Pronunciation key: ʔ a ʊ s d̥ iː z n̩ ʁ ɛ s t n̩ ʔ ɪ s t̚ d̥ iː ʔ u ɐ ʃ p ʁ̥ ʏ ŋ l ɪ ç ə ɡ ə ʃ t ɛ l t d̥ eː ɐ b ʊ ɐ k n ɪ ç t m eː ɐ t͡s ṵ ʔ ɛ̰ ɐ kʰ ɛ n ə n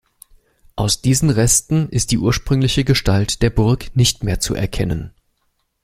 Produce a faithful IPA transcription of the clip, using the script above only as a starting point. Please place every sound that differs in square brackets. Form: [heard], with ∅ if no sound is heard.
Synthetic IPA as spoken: ʔ a ʊ s d̥ iː z n̩ ʁ ɛ s t n̩ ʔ ɪ s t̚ d̥ iː ʔ [uː] ɐ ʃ p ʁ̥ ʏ ŋ l ɪ ç ə ɡ ə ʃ t [a] l t d̥ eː ɐ b ʊ ɐ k n ɪ ç t m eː ɐ t͡s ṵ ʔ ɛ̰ ɐ kʰ ɛ n ə n

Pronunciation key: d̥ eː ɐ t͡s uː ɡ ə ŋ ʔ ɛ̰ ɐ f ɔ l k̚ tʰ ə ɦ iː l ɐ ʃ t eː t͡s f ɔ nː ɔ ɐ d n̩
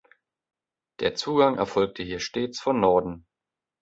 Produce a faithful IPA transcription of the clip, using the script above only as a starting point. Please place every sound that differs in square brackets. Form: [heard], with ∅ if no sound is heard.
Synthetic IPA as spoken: d̥ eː ɐ t͡s uː ɡ [a] ŋ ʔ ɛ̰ ɐ f ɔ l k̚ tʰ ə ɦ iː [∅] ɐ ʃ t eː t͡s f ɔ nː ɔ ɐ d n̩

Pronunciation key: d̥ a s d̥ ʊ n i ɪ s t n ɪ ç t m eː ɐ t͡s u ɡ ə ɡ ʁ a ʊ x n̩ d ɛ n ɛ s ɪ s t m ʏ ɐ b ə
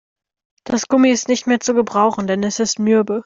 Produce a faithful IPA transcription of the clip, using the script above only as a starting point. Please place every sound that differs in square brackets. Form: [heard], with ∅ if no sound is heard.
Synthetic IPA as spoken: d̥ a s [ɡ̥] ʊ [m] i ɪ s t n ɪ ç t m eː ɐ t͡s u ɡ ə [b] ʁ a ʊ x n̩ d ɛ n ɛ s ɪ s t m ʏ ɐ b ə

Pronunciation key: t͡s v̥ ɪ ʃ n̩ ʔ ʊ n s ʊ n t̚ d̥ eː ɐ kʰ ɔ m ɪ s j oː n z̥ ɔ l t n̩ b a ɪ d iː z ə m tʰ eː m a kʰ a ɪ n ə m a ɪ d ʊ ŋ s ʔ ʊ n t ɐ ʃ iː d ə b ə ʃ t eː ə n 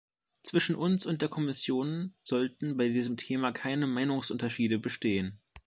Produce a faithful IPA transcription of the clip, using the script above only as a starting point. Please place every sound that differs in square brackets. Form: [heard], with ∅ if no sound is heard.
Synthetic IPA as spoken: t͡s v̥ ɪ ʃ n̩ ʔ ʊ n s ʊ n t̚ d̥ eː ɐ kʰ ɔ m ɪ s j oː n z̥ ɔ l t n̩ b a ɪ d iː z ə m tʰ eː m a kʰ a ɪ n ə m a ɪ [n] ʊ ŋ s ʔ ʊ n t ɐ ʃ iː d ə b ə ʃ t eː ə n

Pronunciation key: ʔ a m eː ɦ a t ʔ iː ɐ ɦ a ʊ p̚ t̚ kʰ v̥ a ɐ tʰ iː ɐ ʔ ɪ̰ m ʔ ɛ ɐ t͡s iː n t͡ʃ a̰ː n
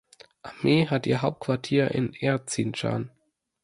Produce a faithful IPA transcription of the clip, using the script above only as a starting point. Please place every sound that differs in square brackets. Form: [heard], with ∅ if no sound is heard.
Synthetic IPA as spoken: ʔ a m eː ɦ a t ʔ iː ɐ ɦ a ʊ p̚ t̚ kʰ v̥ a ɐ tʰ iː ɐ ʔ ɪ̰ [n] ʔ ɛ ɐ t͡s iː n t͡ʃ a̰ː n

